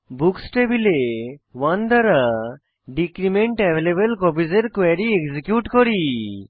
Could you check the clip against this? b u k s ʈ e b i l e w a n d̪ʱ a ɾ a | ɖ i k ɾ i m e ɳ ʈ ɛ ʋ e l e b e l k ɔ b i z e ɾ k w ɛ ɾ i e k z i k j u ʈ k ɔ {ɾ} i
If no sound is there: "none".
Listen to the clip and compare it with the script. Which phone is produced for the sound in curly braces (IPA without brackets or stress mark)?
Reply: ɾ